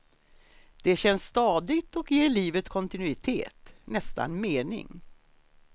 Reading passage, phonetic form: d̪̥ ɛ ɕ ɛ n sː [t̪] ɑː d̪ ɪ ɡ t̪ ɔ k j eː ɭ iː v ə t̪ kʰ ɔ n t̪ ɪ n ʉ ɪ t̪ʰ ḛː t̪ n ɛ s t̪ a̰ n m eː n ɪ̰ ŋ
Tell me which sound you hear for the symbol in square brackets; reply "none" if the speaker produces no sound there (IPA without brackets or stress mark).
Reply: t̪